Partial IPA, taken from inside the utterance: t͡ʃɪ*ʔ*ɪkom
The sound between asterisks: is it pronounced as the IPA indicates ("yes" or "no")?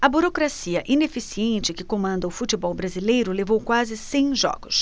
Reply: no